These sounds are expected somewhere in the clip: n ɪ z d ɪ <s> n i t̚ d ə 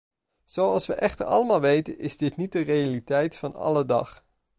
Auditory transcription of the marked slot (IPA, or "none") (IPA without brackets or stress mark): t